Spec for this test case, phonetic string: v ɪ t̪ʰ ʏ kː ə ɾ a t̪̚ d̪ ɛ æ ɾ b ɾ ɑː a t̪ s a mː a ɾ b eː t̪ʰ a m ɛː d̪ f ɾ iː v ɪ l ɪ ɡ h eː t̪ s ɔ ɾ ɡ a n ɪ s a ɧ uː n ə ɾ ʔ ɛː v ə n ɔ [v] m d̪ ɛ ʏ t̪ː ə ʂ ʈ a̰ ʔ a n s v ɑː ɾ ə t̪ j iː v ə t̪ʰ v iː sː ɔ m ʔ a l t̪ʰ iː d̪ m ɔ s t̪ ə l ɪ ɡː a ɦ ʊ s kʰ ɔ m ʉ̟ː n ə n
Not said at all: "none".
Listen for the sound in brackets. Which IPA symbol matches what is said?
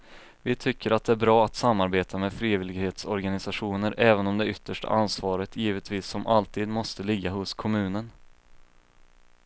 none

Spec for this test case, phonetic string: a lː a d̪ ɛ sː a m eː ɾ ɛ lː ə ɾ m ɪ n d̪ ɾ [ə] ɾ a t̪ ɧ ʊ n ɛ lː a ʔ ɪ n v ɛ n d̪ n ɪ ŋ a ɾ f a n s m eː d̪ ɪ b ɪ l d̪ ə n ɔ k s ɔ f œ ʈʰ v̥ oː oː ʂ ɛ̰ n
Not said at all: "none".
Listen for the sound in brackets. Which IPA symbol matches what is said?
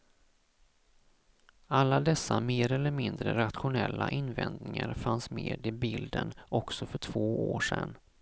ə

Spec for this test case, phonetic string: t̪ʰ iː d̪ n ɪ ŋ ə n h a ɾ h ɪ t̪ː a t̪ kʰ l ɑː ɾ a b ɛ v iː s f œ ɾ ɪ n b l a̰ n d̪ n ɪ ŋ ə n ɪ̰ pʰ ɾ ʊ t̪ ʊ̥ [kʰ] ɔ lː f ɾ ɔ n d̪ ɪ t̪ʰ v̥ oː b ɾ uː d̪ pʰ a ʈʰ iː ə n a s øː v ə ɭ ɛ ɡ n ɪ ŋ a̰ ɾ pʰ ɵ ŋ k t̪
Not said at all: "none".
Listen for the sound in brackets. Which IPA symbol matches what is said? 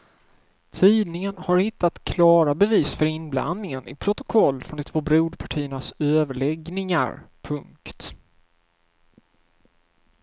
kʰ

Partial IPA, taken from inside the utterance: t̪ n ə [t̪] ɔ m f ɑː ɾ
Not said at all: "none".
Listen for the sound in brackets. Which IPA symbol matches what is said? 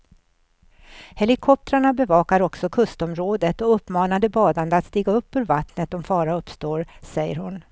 t̪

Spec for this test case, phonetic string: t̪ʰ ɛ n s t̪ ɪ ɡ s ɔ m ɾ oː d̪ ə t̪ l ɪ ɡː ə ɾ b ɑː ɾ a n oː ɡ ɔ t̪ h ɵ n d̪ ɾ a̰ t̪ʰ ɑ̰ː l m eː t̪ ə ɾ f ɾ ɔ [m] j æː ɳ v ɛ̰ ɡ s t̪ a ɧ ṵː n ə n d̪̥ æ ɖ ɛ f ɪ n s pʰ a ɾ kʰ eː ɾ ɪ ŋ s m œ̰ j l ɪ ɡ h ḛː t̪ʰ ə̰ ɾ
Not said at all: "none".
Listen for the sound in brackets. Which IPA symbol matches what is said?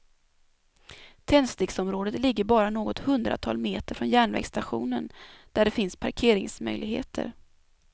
n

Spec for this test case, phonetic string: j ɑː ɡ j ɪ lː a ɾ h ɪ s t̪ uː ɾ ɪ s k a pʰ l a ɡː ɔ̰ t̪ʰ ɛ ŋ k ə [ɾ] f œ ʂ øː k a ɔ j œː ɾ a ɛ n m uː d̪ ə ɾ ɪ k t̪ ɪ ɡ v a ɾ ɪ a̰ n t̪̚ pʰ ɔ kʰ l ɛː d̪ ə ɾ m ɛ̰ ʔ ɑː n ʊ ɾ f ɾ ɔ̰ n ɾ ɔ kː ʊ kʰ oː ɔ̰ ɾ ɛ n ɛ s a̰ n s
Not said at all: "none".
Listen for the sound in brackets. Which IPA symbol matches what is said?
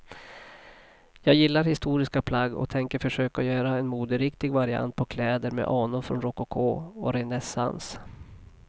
ɾ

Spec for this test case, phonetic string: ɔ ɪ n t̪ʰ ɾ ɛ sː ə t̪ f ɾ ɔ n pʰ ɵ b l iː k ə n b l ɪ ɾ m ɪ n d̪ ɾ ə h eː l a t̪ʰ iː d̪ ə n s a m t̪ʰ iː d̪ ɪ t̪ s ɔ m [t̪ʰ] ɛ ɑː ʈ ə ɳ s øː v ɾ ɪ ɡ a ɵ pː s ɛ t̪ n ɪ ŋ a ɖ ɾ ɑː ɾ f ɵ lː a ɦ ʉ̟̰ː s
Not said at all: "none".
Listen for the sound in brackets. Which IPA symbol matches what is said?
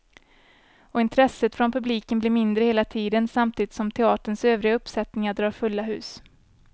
t̪ʰ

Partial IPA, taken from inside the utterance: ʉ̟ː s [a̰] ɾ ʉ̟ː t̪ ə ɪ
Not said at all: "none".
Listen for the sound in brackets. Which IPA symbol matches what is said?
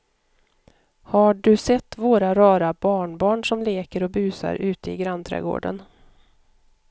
a̰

